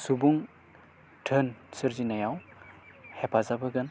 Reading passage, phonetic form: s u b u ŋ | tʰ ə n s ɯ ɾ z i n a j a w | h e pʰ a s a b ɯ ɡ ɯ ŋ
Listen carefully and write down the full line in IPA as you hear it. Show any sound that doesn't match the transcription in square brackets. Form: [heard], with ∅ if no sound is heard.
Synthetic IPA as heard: s u b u ŋ | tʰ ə n s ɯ ɾ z i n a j a w | h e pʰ a [z] a b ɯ ɡ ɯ [n]